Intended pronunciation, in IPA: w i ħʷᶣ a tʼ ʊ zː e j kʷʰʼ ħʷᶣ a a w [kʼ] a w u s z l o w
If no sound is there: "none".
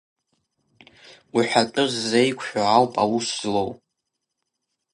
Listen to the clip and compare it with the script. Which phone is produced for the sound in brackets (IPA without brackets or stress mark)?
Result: pʼ